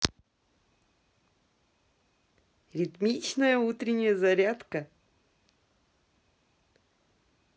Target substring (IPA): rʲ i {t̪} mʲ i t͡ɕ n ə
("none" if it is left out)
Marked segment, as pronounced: t̪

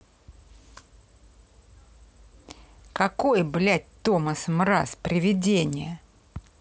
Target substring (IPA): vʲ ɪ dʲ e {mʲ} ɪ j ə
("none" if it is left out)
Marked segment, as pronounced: nʲ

